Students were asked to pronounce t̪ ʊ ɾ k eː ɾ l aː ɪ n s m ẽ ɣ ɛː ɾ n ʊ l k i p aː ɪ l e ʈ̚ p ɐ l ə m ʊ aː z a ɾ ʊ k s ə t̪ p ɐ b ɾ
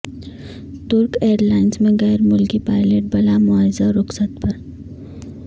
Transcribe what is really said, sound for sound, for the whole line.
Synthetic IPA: t̪ ʊ ɾ k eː ɾ l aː ɪ n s m ẽ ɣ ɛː ɾ m ʊ l k i p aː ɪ l e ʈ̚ b ɐ l a m ʊ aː z a ɾ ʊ k s ə t̪ p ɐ ɾ